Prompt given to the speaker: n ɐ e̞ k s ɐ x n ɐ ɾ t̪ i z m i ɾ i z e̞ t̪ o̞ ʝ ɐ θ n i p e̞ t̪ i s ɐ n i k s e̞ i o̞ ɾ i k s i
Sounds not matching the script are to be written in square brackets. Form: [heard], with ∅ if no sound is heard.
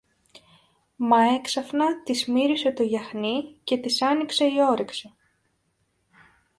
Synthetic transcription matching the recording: [m] ɐ e̞ k s ɐ [f] n ɐ [∅] t̪ i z m i ɾ i [s] e̞ t̪ o̞ ʝ ɐ [x] n i [c] e̞ t̪ i s ɐ n i k s e̞ i o̞ ɾ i k s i